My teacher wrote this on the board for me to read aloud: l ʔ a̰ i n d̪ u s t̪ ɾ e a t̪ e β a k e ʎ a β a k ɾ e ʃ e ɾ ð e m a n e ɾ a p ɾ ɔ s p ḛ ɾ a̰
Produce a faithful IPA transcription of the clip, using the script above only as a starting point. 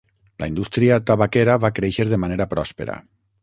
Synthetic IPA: l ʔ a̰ i n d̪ u s t̪ ɾ i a t̪ a β a k e ɾ a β a k ɾ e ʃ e ɾ ð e m a n e ɾ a p ɾ ɔ s p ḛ ɾ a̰